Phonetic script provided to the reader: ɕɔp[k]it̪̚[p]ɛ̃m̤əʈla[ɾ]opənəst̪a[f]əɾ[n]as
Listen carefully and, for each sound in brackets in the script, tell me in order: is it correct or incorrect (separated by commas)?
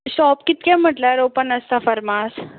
correct, incorrect, correct, correct, incorrect